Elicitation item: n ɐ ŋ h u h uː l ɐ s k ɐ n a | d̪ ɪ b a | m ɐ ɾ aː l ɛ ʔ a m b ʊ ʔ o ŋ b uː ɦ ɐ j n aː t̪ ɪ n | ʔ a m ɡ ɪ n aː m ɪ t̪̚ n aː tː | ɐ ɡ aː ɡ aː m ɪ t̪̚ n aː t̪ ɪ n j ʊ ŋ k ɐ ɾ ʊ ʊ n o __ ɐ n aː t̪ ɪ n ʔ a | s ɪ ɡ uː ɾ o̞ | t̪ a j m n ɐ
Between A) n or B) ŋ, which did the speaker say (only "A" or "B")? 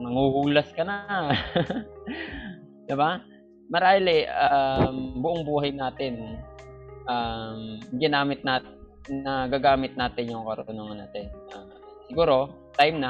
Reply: B